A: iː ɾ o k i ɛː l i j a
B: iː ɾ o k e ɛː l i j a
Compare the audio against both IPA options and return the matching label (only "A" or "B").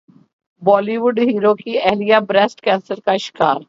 A